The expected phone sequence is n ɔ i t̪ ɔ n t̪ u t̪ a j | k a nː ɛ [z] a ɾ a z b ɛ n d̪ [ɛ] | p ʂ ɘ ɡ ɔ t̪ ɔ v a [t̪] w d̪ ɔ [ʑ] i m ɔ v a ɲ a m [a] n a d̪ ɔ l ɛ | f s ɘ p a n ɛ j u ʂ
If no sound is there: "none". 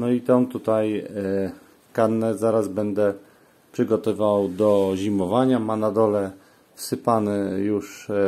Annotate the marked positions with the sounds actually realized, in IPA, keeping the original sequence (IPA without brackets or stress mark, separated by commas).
z, ɛ, none, ʑ, a